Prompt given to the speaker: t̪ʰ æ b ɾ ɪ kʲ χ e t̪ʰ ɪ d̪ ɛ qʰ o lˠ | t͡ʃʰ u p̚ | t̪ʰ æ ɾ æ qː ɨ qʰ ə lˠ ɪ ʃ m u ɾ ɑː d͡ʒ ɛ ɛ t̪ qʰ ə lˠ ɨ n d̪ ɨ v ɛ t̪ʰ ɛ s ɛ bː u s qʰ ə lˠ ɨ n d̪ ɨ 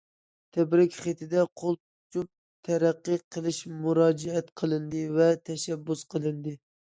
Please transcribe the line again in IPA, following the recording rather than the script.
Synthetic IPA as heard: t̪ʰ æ b ɾ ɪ kʲ χ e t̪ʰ ɪ d̪ ɛ qʰ o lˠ | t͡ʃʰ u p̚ | t̪ʰ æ ɾ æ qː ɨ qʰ ə lˠ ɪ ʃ m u ɾ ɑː d͡ʒ ɛ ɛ t̪ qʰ ə lˠ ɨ n d̪ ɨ v ɛ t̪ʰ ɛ ʃ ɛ bː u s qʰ ə lˠ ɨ n d̪ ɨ

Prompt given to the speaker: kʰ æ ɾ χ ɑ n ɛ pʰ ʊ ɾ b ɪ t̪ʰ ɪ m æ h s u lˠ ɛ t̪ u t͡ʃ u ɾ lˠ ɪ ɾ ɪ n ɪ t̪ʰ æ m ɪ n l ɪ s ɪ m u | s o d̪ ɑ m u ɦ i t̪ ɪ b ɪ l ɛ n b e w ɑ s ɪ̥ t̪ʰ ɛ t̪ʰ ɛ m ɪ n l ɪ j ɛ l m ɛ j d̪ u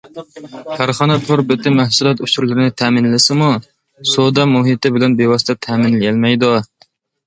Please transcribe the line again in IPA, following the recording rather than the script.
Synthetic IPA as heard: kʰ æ ɾ χ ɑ n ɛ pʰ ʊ ɾ b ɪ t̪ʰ ɪ m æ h s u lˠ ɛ t̪ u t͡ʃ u ɾ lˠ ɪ ɾ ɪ n ɪ t̪ʰ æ m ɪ n l ɪ s ɪ m u | s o d̪ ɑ m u ɦ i t̪ ɪ b ɪ l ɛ n b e w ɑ s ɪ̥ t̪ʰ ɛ t̪ʰ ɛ m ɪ n l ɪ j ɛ l m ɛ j d̪ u

